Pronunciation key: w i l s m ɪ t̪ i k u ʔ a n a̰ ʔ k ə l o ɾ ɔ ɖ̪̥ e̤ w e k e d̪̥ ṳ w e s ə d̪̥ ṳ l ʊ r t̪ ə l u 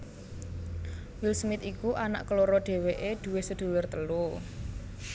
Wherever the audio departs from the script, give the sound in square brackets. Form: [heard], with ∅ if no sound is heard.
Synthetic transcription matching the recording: w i l s m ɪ t̪ i k u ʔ a n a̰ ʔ k ə l o ɾ ɔ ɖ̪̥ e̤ w e [ʔ] e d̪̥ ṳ w e s ə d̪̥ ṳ l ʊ r t̪ ə l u